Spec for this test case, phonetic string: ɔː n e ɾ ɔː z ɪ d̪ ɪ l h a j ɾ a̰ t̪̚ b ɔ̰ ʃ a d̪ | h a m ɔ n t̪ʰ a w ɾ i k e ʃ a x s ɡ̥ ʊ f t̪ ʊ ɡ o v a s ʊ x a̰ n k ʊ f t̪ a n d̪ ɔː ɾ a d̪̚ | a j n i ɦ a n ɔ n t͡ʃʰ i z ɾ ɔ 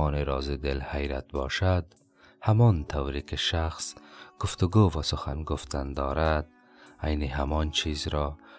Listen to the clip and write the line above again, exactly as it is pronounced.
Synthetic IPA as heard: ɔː n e ɾ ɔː z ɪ d̪ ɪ l h a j ɾ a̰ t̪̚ b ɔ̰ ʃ a d̪ | h a m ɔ n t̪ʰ a w ɾ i k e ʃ a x s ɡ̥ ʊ f t̪ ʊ ɡ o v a s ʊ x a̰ n ɡ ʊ f t̪ a n d̪ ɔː ɾ a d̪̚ | a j n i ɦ a m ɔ n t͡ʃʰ i z ɾ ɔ